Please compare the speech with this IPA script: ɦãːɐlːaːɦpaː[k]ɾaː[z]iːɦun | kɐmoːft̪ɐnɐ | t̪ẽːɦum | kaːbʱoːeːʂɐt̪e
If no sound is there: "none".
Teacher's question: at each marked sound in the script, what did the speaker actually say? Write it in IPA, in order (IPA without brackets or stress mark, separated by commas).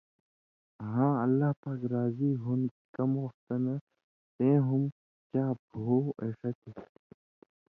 k, z